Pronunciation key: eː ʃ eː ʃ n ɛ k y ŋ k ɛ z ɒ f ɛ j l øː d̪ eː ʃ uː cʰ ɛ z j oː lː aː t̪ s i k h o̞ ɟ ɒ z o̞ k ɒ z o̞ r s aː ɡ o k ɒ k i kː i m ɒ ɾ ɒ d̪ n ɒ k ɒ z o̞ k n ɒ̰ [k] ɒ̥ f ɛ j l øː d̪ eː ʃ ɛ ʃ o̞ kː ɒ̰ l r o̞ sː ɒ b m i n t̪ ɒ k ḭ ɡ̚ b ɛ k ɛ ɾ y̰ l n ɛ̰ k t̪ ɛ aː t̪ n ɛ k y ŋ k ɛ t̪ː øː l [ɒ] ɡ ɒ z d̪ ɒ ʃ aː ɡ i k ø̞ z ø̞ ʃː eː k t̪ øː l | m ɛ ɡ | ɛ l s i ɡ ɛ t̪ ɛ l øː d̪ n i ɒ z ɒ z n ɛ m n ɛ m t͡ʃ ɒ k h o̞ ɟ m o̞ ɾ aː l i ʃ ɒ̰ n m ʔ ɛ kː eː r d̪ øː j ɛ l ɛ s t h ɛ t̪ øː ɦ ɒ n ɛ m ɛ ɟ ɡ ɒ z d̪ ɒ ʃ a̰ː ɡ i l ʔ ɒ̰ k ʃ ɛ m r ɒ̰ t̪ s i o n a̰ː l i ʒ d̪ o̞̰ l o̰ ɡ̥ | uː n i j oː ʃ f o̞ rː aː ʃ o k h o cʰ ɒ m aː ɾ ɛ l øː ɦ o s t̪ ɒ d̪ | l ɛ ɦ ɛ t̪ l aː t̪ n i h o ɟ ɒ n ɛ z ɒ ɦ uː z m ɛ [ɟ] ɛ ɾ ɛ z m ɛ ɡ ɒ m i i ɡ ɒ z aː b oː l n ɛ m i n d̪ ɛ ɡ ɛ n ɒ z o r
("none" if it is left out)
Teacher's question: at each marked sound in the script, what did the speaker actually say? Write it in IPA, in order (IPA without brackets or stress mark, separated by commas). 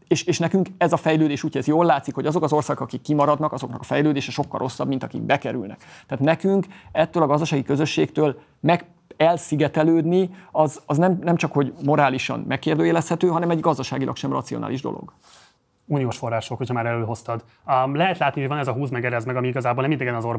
k, ɒ, ɡ